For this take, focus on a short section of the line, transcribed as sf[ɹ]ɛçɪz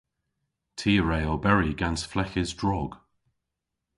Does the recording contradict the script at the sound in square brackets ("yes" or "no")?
yes